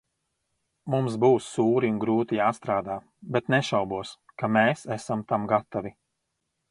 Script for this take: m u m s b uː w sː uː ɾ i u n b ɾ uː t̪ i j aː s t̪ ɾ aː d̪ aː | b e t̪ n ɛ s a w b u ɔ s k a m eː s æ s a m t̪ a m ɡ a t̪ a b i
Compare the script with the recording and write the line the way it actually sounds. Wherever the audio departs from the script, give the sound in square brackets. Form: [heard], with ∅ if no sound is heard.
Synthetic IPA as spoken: m u m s b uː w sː uː ɾ i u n [ɡ] ɾ uː t̪ i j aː s t̪ ɾ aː d̪ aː | b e t̪ n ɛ [ʃ] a w b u ɔ s k a m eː s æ s a m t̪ a m ɡ a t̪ a [v] i